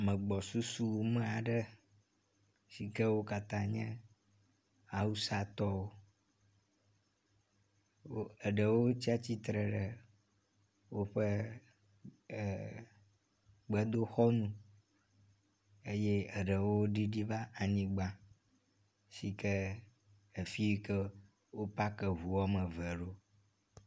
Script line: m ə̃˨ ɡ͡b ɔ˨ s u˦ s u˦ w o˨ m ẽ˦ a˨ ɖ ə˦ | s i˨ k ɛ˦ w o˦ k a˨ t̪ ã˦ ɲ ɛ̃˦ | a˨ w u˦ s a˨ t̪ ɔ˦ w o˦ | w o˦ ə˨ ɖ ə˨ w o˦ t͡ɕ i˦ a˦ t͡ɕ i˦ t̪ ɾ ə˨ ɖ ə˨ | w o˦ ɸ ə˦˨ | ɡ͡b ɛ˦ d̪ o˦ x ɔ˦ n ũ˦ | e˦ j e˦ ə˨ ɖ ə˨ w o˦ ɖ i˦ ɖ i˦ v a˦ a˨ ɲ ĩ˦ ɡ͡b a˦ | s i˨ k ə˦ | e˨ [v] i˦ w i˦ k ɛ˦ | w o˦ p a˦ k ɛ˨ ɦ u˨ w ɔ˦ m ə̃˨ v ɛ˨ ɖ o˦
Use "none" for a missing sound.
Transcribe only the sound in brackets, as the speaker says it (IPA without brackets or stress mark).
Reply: f